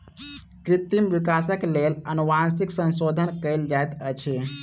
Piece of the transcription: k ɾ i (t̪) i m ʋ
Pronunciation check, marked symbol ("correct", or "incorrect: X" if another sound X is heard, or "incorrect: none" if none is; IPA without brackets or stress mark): correct